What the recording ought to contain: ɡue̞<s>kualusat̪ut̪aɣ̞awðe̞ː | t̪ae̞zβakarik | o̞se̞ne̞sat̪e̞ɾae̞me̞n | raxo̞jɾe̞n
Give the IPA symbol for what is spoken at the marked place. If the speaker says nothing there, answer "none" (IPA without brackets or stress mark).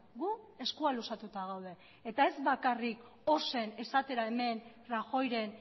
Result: s